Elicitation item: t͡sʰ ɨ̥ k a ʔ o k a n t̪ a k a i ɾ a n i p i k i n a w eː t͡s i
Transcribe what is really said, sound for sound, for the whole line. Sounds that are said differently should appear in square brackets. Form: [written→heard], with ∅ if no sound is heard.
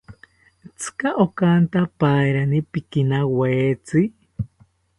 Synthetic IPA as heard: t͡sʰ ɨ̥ k a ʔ o k a n t̪ a [k→p] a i ɾ a n i p i k i n a w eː t͡s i